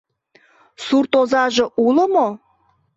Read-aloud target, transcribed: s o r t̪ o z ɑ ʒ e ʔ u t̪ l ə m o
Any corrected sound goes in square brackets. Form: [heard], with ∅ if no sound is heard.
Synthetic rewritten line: s [u] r t̪ o z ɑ ʒ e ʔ u [∅] l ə m o